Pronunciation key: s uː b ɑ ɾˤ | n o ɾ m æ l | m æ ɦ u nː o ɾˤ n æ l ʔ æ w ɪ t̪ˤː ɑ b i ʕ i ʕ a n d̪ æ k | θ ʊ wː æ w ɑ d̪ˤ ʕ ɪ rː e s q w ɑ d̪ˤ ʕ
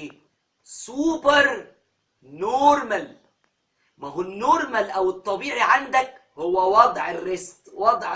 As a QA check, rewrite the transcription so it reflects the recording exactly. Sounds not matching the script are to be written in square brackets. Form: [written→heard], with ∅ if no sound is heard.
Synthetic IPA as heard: s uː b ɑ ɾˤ | n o ɾ m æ l | m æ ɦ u nː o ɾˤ [n→m] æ l ʔ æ w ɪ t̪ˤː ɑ b [i→iː] ʕ i ʕ a n d̪ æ k | [θ→h] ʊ wː æ w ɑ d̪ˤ ʕ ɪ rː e s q w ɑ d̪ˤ ʕ